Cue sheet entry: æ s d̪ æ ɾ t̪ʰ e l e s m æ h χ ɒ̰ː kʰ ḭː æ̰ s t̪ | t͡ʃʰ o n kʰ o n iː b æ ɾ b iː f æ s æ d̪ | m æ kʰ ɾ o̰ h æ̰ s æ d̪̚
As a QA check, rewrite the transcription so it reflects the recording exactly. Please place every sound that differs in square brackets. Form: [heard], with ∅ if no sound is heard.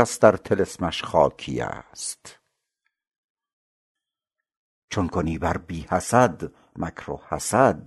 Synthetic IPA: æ s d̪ æ ɾ t̪ʰ e l e s m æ [ʃ] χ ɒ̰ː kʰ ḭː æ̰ s t̪ | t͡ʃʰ o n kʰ o n iː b æ ɾ b iː [h] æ s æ d̪ | m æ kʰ ɾ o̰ h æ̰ s æ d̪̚